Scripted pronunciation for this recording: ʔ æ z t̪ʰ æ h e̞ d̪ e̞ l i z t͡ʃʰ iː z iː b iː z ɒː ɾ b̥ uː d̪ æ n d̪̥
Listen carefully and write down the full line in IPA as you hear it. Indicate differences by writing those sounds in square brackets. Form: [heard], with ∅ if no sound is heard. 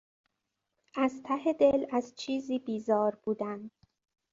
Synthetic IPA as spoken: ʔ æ z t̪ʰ æ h e̞ d̪ e̞ l [æ] z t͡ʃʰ iː z iː b iː z ɒː ɾ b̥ uː d̪ æ n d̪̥